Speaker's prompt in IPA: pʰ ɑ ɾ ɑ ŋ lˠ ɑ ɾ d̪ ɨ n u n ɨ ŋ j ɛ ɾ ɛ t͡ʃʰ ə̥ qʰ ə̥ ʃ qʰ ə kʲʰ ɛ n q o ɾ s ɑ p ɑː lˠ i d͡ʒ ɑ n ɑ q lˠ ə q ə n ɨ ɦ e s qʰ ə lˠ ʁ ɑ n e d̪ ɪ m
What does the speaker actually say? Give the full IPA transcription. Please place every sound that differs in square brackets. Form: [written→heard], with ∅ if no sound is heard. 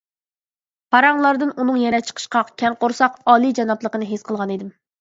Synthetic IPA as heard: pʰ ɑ ɾ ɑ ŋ lˠ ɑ ɾ d̪ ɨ n u n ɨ ŋ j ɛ ɾ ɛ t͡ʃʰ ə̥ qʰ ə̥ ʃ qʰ [ə→ɑ] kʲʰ ɛ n q o ɾ s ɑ [p→q] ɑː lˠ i d͡ʒ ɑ n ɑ [q→p] lˠ ə q ə n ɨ ɦ e s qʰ ə lˠ ʁ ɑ n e d̪ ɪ m

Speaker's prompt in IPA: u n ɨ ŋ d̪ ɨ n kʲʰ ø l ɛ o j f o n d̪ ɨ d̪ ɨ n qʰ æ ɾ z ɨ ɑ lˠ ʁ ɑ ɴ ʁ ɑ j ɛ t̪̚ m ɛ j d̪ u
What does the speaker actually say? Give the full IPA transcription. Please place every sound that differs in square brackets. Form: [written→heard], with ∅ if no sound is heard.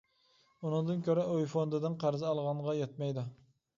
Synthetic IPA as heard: u n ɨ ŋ d̪ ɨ n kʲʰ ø [l→ɾ] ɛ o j f o n d̪ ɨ d̪ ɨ n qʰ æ ɾ z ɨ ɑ lˠ ʁ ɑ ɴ ʁ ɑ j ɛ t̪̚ m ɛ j d̪ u

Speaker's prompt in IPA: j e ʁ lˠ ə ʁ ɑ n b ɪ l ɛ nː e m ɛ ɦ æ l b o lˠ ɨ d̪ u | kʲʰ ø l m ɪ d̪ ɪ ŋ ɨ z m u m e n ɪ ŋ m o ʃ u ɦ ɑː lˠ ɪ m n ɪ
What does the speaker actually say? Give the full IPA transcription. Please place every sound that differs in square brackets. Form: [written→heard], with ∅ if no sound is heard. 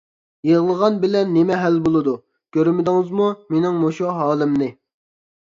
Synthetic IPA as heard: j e ʁ lˠ ə ʁ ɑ n b ɪ l ɛ nː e m ɛ ɦ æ l b o lˠ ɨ d̪ u | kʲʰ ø [l→ɾ] m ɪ d̪ ɪ ŋ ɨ z m u m e n ɪ ŋ m o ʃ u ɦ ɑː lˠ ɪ m n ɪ

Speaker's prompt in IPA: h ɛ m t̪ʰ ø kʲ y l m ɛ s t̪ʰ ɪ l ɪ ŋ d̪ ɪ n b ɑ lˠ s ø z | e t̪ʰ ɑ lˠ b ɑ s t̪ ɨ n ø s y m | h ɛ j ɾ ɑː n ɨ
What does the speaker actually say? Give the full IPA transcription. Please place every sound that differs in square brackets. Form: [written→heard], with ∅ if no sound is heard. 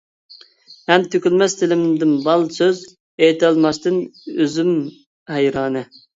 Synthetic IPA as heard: h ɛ m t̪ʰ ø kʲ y l m ɛ s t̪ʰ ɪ l ɪ [ŋ→m] d̪ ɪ n b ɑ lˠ s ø z | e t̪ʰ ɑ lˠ [b→m] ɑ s t̪ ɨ n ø [s→z] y m | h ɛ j ɾ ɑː n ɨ

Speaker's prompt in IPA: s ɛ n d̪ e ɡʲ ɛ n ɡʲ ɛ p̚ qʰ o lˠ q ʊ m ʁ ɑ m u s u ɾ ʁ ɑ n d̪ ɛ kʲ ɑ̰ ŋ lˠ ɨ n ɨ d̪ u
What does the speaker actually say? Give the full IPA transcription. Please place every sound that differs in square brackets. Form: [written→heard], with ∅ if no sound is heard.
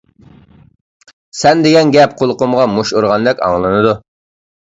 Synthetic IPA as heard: s ɛ n d̪ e ɡʲ ɛ n ɡʲ ɛ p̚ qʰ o lˠ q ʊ m ʁ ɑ m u [s→ʃ] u ɾ ʁ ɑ n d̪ ɛ kʲ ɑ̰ ŋ lˠ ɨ n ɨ d̪ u

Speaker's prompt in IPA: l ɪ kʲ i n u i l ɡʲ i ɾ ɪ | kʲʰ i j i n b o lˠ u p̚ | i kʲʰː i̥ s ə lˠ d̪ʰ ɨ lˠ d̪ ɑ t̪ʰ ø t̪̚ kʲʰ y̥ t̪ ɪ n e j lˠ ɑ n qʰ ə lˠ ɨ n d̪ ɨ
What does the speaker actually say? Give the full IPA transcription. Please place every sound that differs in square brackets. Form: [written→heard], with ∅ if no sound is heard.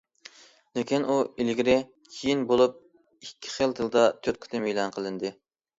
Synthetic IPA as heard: l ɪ kʲ i n u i l ɡʲ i ɾ ɪ | kʲʰ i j i n b o lˠ u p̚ | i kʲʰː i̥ [s→χ] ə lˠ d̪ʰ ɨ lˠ d̪ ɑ t̪ʰ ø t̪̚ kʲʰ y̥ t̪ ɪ [n→m] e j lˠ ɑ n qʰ ə lˠ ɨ n d̪ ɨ

